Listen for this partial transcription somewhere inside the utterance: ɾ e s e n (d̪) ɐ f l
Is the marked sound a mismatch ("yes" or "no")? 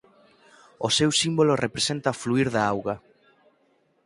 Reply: yes